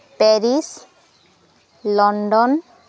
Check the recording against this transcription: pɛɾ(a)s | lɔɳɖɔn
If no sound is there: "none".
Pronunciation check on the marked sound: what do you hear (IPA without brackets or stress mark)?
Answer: i